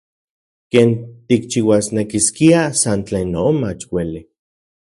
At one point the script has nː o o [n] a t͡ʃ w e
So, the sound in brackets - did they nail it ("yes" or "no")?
no